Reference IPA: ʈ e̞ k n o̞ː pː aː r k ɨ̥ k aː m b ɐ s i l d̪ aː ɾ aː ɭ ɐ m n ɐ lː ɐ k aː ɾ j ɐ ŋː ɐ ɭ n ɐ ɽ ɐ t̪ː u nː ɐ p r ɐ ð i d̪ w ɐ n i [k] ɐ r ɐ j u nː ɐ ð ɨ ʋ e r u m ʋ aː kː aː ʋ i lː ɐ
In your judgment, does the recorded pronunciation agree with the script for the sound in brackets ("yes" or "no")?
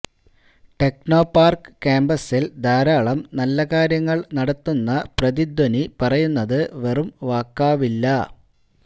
no